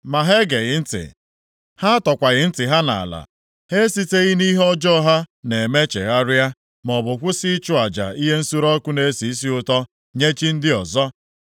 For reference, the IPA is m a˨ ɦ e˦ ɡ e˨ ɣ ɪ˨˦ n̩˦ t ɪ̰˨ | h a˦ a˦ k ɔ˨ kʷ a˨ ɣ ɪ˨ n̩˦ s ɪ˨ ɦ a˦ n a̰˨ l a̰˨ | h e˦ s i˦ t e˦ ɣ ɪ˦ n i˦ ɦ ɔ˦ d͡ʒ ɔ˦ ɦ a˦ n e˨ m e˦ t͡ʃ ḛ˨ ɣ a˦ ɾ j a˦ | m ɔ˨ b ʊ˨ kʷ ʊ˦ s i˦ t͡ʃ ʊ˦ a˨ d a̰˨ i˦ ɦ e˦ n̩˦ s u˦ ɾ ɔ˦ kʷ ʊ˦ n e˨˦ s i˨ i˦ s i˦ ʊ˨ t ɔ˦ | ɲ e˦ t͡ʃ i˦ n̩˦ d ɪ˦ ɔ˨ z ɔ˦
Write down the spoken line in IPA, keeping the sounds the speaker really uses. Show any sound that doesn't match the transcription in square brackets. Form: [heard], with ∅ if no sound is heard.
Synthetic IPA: m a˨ ɦ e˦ ɡ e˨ ɣ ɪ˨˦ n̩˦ t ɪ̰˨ | h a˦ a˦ [t] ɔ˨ kʷ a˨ ɣ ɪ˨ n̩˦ [t] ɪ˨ ɦ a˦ n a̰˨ l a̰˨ | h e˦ s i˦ t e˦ ɣ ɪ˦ n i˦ ɦ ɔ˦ d͡ʒ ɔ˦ ɦ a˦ n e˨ m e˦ t͡ʃ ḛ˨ ɣ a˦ ɾ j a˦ | m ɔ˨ b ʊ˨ kʷ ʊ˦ s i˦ t͡ʃ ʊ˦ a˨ [d͡ʒ] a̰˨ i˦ ɦ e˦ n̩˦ s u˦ ɾ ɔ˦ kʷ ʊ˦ n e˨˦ s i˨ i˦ s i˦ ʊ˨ t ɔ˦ | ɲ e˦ t͡ʃ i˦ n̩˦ d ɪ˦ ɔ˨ z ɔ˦